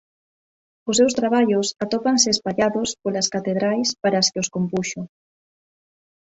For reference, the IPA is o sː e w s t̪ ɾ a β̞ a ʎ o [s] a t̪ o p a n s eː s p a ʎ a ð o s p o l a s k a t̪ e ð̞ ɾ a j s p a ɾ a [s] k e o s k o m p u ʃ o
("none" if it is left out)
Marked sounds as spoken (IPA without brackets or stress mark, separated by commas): s, s